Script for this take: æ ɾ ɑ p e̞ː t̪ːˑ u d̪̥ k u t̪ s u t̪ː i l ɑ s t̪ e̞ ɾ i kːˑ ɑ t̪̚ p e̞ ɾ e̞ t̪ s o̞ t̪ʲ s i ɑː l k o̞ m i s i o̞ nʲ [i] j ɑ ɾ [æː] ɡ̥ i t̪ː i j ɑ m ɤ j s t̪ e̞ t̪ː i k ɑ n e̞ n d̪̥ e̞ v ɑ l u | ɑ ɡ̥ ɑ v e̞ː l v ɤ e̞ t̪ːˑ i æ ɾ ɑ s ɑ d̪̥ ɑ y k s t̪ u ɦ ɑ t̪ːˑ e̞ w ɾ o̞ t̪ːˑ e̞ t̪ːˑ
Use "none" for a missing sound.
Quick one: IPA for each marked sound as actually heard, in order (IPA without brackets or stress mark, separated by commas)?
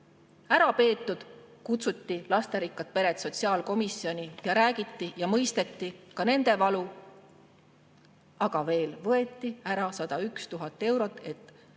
i, æː